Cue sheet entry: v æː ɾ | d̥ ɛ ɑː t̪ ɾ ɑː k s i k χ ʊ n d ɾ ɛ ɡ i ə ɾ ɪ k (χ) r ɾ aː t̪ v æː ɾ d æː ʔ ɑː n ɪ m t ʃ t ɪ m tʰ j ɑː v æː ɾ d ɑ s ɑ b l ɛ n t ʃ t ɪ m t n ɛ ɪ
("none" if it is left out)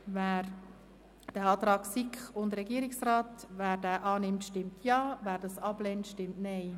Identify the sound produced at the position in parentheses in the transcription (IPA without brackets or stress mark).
s